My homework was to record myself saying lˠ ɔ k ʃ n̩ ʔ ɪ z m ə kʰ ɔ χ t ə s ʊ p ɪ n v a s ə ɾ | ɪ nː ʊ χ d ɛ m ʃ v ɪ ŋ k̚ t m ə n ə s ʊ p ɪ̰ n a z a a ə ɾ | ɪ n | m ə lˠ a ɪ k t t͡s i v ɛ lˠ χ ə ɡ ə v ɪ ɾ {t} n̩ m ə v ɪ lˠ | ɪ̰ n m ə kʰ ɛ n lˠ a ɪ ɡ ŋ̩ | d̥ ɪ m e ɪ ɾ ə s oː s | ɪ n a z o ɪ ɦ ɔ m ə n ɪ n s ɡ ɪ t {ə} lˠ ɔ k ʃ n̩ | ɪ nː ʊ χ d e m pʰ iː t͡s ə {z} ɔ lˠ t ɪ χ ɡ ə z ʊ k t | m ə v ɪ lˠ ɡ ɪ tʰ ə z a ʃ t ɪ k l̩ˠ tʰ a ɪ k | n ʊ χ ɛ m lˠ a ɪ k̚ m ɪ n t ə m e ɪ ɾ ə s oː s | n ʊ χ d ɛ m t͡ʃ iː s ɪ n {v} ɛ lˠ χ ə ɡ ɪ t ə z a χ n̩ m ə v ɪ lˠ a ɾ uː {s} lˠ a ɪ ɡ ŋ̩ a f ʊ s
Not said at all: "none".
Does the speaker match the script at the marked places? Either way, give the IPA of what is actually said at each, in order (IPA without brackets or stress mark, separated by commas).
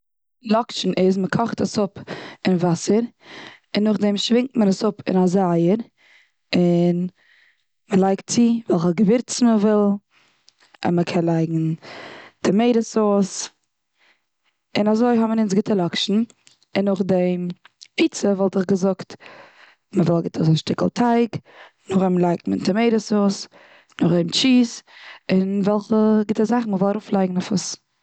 t͡s, ə, v, v, f